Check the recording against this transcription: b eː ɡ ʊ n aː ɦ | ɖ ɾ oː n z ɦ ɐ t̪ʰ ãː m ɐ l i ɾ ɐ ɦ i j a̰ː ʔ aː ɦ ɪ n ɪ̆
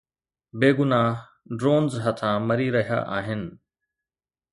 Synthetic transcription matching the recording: b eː ɡ ʊ n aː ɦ | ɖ ɾ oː n z ɦ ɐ t̪ʰ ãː m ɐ ɾ i ɾ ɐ ɦ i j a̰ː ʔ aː ɦ ɪ n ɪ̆